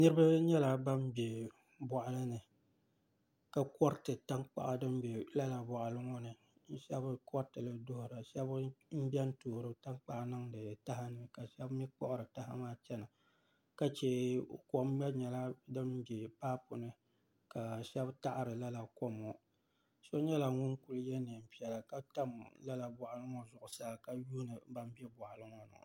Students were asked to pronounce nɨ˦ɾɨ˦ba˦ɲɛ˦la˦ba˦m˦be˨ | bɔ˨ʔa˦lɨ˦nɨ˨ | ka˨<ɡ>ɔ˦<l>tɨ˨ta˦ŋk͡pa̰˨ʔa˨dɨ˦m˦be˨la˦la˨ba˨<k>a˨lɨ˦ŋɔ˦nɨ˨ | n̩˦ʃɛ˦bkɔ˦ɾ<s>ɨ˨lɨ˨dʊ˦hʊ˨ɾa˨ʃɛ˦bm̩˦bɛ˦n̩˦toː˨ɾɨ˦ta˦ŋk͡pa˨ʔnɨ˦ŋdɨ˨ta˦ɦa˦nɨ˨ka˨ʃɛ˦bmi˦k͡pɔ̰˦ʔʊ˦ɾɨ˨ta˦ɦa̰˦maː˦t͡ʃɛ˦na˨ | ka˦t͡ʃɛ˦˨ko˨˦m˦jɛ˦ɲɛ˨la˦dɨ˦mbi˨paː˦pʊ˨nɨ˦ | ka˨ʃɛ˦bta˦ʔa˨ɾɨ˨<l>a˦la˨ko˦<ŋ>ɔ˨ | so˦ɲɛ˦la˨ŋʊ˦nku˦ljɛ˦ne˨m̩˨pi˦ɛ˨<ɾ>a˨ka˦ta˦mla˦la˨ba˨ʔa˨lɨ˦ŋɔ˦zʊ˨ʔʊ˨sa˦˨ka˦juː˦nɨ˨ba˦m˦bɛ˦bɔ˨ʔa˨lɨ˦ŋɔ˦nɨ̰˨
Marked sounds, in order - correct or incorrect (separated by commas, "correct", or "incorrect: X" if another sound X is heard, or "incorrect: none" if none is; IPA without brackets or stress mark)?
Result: incorrect: k, incorrect: ɾ, incorrect: ʔ, incorrect: t, correct, incorrect: m, incorrect: l